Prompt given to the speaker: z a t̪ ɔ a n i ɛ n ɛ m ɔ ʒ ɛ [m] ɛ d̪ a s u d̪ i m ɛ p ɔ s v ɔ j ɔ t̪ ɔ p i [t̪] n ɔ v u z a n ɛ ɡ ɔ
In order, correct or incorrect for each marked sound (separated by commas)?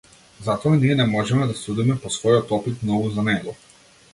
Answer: correct, correct